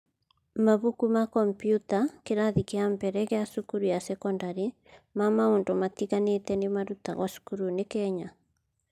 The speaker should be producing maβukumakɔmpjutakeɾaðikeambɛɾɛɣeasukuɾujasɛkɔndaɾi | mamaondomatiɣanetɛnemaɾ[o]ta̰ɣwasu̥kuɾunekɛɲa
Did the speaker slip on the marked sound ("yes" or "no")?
yes